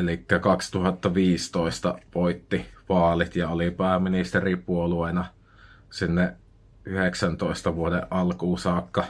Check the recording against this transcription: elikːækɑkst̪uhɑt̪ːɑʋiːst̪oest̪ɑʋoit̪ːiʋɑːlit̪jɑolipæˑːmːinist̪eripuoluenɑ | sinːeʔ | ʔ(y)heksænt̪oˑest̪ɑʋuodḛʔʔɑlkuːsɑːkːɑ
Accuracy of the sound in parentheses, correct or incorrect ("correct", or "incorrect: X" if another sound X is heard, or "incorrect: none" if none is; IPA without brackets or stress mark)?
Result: correct